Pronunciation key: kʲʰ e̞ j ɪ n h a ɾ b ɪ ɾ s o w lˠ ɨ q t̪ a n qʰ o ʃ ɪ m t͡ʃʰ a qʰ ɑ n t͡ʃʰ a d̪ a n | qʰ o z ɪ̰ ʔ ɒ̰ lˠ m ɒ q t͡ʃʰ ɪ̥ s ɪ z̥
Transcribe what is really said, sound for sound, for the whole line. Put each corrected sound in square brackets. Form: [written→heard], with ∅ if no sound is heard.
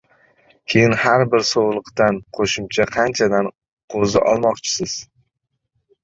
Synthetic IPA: kʲʰ e̞ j ɪ n h a ɾ b ɪ ɾ s o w lˠ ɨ q t̪ a n qʰ o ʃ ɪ m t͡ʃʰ a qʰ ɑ n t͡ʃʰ a d̪ a n | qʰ o z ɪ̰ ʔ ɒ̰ lˠ m ɒ q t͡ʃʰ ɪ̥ s ɪ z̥